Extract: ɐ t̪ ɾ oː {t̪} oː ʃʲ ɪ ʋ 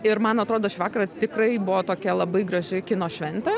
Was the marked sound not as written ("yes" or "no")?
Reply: yes